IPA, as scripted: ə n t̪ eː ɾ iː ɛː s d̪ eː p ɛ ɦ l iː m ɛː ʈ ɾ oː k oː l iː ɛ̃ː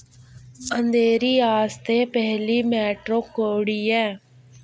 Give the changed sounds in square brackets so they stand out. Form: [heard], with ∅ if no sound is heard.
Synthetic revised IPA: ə n [d̪] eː ɾ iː [aː] s [t̪] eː p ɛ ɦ l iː m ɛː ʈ ɾ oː k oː [ɽ] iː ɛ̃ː